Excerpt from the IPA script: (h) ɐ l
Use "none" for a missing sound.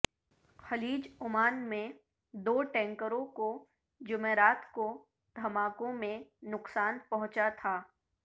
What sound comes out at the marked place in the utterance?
x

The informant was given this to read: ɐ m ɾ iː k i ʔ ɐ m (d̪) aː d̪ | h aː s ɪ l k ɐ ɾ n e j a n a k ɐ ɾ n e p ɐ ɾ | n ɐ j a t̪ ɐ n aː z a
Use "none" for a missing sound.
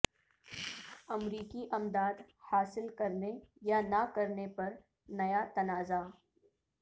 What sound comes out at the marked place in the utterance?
d̪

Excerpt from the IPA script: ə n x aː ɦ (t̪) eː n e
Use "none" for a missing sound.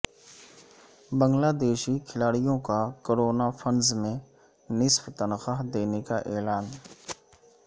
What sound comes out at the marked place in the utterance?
d̪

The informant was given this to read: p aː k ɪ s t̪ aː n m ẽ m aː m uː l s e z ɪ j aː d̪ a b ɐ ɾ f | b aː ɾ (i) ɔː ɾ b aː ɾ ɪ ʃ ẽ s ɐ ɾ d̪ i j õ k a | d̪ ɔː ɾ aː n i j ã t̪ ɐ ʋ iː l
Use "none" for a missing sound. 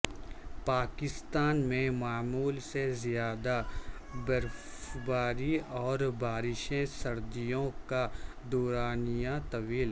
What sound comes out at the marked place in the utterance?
i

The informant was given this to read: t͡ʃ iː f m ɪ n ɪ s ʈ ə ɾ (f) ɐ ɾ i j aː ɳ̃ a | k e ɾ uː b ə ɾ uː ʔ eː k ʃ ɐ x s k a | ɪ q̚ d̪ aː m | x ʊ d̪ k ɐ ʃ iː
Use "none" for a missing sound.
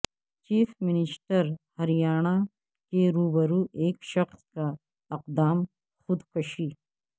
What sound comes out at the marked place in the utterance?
h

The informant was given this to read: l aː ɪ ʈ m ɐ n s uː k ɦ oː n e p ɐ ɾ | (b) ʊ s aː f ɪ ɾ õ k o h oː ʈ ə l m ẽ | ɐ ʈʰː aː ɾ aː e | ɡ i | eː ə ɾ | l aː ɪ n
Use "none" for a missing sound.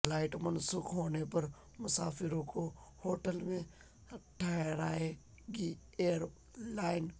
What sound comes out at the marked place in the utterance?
m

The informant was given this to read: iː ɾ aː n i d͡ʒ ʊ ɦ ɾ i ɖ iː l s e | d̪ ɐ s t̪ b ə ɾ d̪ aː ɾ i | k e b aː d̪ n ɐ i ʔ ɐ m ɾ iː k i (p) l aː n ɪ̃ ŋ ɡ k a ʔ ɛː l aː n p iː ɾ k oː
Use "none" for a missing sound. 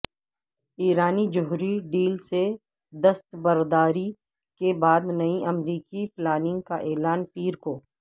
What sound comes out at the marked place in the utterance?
p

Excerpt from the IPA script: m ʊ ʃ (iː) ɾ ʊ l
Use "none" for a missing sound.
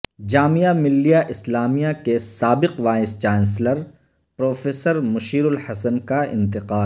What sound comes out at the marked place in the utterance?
iː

